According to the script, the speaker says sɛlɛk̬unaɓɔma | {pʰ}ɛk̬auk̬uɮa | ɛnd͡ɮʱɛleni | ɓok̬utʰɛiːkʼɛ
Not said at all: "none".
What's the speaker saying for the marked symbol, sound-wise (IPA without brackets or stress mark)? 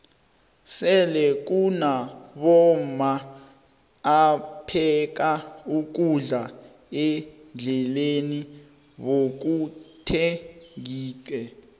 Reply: pʰ